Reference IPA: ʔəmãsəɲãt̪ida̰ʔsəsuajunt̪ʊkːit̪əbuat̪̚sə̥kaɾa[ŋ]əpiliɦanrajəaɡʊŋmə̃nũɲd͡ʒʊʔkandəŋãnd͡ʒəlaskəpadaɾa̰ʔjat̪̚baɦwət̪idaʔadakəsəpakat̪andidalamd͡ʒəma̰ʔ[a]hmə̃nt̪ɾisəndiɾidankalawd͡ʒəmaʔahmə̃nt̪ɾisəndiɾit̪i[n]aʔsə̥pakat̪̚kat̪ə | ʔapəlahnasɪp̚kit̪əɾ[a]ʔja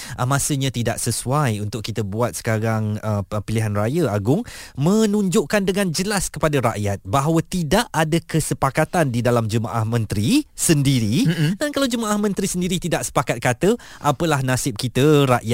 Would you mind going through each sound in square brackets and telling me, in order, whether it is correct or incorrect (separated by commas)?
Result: correct, correct, incorrect, correct